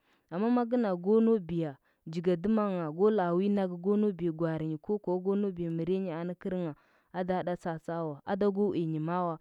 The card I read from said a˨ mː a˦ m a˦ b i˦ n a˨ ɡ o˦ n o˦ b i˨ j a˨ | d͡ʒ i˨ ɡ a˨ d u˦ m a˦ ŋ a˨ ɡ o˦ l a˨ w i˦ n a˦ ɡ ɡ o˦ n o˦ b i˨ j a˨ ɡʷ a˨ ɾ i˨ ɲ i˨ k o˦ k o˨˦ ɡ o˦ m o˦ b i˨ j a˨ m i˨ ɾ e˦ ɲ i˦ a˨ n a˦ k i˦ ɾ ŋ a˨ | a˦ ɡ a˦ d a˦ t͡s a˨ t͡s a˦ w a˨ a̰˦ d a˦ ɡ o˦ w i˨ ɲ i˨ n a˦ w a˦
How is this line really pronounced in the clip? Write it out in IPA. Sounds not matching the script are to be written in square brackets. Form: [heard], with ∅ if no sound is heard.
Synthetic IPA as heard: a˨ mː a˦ m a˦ [ɡ] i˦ n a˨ ɡ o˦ n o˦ b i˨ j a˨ | d͡ʒ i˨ ɡ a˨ d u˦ m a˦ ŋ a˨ ɡ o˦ l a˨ w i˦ n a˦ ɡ ɡ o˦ n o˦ b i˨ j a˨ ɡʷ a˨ ɾ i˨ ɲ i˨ k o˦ k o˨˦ ɡ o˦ [n] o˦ b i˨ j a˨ m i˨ ɾ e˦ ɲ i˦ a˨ n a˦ k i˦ ɾ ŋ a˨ | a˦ [d] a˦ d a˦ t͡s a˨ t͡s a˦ w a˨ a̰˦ d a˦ ɡ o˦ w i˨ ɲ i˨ [m] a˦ w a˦